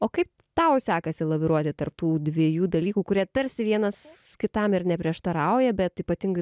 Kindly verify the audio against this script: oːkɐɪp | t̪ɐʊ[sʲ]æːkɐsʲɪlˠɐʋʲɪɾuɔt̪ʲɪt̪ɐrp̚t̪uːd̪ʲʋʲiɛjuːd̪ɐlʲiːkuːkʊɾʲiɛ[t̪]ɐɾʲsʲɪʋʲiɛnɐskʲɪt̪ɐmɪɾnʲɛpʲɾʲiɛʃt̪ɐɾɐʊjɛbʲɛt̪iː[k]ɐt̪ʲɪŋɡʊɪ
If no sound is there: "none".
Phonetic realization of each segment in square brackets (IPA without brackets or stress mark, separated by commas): sʲ, t̪, p